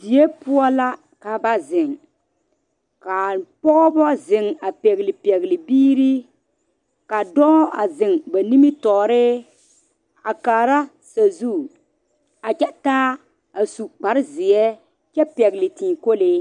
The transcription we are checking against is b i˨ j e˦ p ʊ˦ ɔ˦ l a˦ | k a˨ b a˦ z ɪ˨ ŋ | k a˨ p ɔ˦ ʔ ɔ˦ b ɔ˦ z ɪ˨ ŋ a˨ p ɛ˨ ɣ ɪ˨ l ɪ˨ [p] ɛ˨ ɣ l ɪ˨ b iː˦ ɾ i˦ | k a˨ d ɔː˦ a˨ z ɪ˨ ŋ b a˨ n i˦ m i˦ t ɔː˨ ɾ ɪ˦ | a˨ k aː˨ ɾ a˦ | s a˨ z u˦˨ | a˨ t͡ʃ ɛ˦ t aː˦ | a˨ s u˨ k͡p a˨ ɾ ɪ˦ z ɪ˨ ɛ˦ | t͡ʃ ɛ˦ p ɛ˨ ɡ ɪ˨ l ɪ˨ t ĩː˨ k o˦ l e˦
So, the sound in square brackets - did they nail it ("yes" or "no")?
yes